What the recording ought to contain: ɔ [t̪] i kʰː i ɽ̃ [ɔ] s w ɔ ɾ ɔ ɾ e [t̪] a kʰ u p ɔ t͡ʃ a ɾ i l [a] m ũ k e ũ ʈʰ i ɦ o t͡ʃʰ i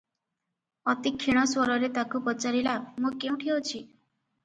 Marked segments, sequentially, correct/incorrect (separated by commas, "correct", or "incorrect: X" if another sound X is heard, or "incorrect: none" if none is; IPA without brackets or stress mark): correct, correct, correct, correct